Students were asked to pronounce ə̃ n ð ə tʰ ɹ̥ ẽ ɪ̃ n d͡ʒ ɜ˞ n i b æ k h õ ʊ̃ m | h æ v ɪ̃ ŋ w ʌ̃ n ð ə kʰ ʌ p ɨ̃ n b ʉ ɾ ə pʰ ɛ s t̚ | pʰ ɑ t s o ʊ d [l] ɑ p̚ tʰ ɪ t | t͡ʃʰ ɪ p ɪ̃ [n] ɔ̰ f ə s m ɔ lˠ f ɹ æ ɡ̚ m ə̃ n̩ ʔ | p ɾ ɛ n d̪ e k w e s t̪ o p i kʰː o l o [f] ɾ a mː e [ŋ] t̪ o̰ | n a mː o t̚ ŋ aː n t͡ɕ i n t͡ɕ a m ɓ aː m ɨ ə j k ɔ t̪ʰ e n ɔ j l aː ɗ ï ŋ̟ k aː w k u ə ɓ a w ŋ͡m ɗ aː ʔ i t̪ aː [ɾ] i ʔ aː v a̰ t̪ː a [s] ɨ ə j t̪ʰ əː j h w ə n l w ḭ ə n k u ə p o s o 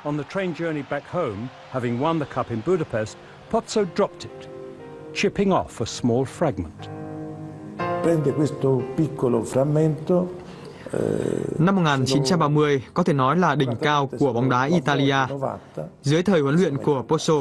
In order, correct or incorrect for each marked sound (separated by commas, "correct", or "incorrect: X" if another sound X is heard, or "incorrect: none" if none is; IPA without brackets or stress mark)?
incorrect: ɹ, incorrect: ŋ, correct, incorrect: n, incorrect: l, incorrect: z